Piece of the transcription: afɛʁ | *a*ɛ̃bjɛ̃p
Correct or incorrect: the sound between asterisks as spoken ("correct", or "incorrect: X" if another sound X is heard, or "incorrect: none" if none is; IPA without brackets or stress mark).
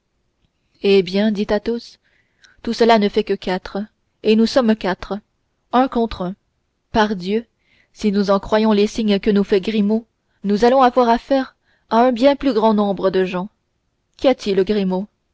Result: correct